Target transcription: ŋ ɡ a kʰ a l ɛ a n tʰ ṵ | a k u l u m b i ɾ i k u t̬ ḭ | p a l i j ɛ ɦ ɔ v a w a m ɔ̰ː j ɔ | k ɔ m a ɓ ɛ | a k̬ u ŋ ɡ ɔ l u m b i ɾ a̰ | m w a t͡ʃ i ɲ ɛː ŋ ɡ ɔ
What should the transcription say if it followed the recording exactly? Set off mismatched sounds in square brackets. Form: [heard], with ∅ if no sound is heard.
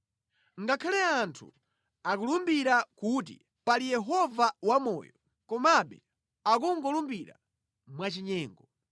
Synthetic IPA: ŋ ɡ a kʰ a l ɛ a n tʰ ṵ | a k u l u m b i ɾ [a] k u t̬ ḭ | p a l i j ɛ ɦ ɔ v a w a m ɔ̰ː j ɔ | k ɔ m a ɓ ɛ | a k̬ u ŋ ɡ ɔ l u m b i ɾ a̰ | m w a t͡ʃ i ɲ ɛː ŋ ɡ ɔ